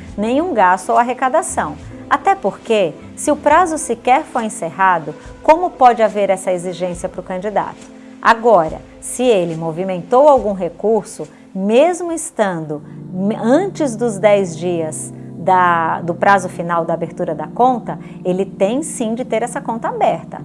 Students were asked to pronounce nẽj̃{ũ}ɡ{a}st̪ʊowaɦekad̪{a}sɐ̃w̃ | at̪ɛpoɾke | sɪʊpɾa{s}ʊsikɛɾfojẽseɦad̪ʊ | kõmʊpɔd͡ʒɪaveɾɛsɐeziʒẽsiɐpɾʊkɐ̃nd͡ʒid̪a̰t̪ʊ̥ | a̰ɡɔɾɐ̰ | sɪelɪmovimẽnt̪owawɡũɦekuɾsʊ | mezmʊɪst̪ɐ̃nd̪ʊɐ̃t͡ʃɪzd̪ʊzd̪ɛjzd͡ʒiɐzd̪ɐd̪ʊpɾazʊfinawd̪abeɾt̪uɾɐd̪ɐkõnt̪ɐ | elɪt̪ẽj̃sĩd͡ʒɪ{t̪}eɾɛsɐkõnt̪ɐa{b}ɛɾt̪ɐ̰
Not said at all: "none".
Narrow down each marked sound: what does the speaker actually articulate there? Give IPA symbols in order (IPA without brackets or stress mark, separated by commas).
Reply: ũ, a, a, z, t̪, b